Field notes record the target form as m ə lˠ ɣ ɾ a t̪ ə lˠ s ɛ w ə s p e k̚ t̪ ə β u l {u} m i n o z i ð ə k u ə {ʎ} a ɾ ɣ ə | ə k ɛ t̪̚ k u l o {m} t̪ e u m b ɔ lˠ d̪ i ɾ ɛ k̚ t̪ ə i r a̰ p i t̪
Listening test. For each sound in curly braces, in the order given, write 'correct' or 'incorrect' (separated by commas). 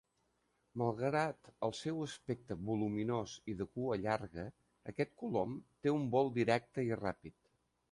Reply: correct, correct, correct